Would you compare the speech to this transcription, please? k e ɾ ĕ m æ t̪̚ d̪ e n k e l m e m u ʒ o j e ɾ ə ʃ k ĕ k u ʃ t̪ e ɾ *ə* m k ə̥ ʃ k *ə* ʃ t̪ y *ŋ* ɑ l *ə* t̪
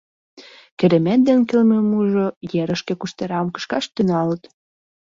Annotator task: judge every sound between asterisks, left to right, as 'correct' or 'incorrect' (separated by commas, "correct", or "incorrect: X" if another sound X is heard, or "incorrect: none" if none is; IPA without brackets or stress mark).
incorrect: ɑ, incorrect: ɑ, incorrect: n, correct